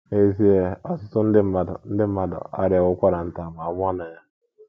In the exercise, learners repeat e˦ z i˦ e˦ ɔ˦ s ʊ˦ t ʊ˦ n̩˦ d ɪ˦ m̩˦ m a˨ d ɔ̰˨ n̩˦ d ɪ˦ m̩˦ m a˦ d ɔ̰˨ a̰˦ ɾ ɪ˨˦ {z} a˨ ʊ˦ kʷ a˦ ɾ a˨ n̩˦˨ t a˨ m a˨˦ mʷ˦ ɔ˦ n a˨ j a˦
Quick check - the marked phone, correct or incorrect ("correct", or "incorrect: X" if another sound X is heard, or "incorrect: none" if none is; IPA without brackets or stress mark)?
incorrect: none